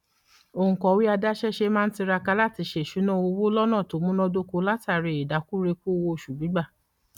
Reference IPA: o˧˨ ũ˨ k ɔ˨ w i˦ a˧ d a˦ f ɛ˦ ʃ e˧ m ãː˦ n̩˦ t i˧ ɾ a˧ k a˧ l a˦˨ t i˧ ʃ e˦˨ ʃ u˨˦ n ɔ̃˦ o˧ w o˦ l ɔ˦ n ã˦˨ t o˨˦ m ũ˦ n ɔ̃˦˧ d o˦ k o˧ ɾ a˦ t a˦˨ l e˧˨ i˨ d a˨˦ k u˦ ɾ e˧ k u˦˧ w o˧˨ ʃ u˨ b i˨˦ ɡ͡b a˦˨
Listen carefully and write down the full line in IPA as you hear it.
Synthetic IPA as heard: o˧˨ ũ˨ k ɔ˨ w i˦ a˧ d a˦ ʃ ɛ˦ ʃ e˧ m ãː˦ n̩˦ t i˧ ɾ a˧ k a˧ l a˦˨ t i˧ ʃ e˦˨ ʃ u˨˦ n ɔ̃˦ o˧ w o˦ l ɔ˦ n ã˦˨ t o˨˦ m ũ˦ n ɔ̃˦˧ d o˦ k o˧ l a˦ t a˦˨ ɾ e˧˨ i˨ d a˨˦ k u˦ ɾ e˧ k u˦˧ w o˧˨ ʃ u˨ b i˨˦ ɡ͡b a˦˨

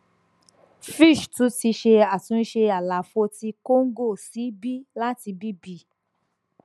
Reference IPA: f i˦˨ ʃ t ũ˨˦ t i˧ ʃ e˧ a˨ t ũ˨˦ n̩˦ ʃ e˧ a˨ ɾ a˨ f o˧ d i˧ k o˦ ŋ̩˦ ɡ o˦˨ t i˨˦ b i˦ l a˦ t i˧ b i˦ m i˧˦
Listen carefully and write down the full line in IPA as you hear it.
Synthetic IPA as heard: f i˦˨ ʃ t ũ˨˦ t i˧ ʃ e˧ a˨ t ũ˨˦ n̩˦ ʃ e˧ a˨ l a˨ f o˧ t i˧ k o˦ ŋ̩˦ ɡ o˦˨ s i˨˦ b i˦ l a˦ t i˧ b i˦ b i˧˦

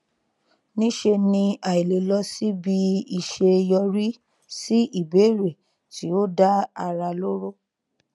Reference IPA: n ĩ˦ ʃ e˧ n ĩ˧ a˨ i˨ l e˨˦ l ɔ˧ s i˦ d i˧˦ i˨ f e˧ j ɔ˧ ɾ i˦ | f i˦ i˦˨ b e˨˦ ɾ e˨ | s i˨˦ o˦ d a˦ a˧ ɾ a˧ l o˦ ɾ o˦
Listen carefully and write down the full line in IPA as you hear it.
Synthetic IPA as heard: n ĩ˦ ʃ e˧ n ĩ˧ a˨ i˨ l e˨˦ l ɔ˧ s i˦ b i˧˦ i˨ ʃ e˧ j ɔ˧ ɾ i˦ | s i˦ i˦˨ b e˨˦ ɾ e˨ | t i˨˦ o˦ d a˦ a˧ ɾ a˧ l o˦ ɾ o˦

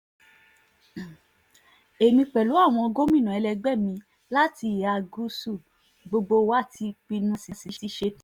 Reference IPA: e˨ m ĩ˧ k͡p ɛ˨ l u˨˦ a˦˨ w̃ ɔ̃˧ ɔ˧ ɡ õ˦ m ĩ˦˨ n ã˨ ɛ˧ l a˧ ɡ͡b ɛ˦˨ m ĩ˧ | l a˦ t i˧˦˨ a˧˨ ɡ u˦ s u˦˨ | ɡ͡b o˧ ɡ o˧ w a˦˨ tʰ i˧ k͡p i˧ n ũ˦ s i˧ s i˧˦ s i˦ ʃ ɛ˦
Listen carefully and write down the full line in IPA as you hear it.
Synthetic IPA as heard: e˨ m ĩ˧ k͡p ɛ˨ l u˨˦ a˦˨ w̃ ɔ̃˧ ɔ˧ ɡ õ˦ m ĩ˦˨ n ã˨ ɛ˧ l ɛ˧ ɡ͡b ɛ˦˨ m ĩ˧ | l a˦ t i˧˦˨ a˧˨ ɡ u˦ s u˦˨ | ɡ͡b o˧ ɡ͡b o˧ w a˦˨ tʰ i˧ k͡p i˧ n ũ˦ s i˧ s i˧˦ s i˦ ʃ e˦

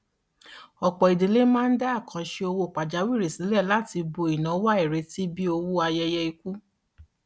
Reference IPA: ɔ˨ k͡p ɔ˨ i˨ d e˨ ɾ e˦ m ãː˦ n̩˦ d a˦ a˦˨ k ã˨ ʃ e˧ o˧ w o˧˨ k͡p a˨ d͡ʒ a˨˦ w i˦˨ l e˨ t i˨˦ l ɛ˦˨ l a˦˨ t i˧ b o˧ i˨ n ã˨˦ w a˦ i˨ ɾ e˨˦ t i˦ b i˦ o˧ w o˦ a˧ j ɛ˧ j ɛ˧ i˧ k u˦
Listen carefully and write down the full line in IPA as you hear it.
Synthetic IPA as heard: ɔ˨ k͡p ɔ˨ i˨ d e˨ l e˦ m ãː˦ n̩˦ d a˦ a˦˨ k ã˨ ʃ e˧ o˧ w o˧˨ k͡p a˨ d͡ʒ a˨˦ w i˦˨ ɾ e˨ s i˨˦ l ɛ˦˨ l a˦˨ t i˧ b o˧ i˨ n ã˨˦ w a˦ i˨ ɾ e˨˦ t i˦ b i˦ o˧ w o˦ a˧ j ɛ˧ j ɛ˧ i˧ k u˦

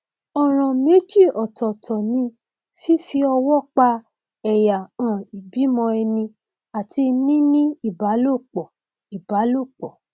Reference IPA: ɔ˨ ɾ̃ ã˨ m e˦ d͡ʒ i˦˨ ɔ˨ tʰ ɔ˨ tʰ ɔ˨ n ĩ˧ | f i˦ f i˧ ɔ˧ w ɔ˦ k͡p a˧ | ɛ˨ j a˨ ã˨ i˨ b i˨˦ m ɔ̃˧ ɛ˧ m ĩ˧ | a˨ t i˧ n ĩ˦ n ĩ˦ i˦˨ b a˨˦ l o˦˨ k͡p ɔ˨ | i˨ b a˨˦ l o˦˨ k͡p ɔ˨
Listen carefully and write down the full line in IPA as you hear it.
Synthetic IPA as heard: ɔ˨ ɾ̃ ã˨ m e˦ d͡ʒ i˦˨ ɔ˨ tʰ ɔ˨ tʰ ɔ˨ n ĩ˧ | f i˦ f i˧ ɔ˧ w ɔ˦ k͡p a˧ | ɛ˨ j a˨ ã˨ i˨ b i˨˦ m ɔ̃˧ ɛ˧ n ĩ˧ | a˨ t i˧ n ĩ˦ n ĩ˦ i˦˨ b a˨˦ l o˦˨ k͡p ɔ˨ | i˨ b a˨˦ l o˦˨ k͡p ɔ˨

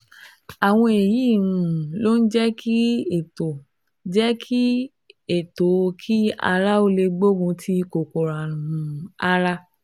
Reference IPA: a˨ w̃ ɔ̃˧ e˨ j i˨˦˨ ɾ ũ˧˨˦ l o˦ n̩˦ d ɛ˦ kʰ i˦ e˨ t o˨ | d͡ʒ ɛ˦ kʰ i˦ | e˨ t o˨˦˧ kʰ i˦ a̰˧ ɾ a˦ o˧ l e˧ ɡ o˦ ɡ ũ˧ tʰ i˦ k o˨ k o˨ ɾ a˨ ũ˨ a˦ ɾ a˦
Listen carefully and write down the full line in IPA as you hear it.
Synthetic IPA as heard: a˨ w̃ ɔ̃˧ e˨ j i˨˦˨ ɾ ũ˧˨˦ l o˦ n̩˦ d͡ʒ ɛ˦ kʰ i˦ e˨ t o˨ | d͡ʒ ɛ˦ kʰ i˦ | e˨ t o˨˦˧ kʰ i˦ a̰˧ ɾ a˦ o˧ l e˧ ɡ͡b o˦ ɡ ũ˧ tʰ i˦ k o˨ k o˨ ɾ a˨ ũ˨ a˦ ɾ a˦

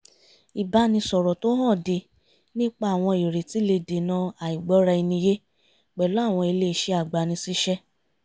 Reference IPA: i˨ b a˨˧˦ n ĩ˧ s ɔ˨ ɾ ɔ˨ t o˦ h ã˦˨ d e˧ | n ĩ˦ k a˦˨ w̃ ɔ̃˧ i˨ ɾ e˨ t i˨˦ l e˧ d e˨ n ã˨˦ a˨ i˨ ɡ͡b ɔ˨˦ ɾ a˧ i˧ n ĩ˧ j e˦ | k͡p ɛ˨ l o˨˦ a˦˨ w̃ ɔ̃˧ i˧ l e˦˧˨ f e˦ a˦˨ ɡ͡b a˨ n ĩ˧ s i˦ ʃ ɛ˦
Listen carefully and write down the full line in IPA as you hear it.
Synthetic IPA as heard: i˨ b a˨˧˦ n ĩ˧ s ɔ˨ ɾ ɔ˨ t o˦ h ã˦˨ d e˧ | n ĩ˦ k͡p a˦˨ w̃ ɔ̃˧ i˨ ɾ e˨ t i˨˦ l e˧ d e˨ n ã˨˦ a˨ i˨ ɡ͡b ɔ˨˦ ɾ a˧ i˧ n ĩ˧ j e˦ | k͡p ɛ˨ l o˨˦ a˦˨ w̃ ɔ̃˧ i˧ l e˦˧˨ ʃ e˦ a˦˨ ɡ͡b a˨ n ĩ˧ s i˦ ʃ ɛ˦

